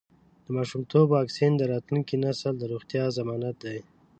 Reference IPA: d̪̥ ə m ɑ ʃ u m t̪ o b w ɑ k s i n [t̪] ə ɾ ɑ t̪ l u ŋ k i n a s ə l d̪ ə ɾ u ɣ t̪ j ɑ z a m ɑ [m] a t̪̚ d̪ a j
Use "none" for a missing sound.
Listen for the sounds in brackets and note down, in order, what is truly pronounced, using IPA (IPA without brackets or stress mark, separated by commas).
d̪, n